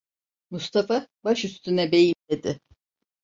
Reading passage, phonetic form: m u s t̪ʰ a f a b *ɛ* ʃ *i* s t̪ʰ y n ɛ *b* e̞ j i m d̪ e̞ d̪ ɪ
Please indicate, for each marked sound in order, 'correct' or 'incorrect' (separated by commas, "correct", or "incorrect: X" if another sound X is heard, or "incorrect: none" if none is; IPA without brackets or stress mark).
incorrect: a, incorrect: y, correct